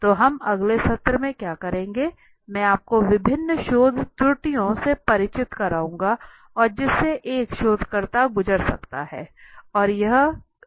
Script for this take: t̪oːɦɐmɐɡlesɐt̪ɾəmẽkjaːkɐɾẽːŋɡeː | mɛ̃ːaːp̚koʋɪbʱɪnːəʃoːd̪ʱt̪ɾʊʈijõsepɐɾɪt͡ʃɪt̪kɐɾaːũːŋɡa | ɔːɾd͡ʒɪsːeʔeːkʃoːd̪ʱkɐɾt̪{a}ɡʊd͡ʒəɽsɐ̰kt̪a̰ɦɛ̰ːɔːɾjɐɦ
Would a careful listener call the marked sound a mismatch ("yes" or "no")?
no